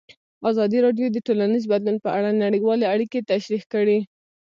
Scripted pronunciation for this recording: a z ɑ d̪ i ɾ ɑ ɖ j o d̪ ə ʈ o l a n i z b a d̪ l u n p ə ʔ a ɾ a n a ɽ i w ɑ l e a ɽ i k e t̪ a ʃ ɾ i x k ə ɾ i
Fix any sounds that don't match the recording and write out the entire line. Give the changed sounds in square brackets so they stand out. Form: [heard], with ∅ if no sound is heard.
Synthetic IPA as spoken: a z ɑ d̪ i ɾ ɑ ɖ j o d̪ ə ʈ o l a n i z b a d̪ l u n p ə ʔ a [ɽ] a n a ɽ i w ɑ l e a ɽ i k e t̪ a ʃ ɾ i x k ə [ɽ] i